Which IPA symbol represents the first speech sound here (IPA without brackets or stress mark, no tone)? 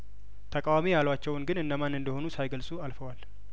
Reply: t̪ʰ